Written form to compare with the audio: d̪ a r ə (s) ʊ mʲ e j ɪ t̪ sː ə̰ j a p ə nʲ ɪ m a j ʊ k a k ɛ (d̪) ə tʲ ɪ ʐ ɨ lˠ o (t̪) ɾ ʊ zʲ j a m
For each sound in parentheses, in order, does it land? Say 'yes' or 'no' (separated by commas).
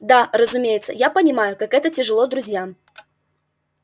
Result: no, no, no